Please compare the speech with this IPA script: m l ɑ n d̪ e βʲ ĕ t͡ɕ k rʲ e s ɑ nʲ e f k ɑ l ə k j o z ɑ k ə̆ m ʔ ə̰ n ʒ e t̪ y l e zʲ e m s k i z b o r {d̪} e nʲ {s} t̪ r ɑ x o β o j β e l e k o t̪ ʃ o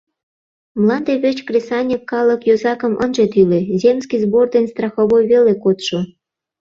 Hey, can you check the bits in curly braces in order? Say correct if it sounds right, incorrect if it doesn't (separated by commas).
correct, correct